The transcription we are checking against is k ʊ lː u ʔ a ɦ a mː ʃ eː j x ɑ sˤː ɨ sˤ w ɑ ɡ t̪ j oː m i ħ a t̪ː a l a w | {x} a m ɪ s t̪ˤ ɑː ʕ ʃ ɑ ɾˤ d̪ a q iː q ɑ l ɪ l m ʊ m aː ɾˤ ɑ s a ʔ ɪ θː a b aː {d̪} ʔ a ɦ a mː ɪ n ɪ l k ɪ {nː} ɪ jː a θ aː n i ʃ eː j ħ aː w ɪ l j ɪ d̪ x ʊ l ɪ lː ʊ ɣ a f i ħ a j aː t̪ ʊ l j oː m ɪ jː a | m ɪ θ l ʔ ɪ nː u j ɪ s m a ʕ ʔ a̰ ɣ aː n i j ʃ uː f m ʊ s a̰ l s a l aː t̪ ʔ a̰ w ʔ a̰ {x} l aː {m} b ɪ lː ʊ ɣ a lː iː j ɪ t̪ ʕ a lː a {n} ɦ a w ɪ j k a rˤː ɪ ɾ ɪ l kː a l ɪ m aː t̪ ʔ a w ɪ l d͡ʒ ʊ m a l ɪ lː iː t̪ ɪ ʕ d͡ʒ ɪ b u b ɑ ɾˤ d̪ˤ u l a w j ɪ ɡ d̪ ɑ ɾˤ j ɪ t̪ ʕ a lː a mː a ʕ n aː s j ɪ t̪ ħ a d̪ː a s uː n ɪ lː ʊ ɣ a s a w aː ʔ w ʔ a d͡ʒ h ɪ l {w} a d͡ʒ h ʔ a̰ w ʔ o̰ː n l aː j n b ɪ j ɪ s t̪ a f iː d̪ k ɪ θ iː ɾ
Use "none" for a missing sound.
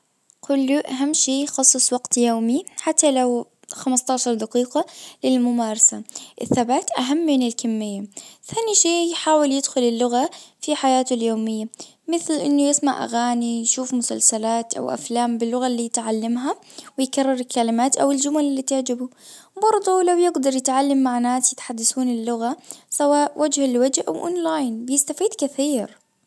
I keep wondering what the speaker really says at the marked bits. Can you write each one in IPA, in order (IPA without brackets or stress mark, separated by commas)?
x, t̪, mː, f, m, m, w